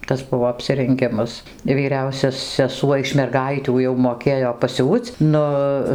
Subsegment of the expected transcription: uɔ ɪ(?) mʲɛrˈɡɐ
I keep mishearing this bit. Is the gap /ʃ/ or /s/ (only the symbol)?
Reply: ʃ